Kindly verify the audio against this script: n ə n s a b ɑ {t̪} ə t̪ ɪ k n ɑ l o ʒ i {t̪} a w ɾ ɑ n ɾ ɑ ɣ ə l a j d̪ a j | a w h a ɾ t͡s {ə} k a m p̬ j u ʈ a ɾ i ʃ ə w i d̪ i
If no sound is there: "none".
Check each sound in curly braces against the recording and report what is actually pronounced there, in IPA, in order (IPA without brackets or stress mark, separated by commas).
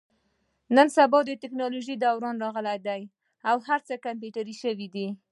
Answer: d̪, d̪, ə